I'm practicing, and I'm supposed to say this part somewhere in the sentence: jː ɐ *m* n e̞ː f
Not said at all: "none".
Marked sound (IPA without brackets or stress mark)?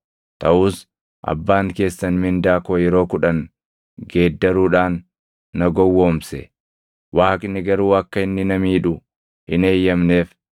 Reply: m